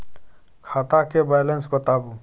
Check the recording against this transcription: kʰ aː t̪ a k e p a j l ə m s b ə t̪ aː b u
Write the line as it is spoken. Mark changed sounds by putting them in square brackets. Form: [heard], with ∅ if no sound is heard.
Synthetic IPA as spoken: kʰ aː t̪ a k e [b] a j l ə [n] s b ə t̪ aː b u